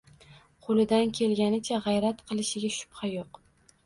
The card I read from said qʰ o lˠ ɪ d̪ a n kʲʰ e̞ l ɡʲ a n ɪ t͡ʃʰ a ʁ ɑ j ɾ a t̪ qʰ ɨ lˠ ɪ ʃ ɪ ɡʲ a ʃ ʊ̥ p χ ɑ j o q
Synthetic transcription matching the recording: qʰ o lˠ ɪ d̪ a n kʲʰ e̞ l ɡʲ a n ɪ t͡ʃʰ a ʁ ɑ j ɾ a t̪ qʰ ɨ lˠ ɪ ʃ ɪ ɡʲ a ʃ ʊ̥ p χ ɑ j o q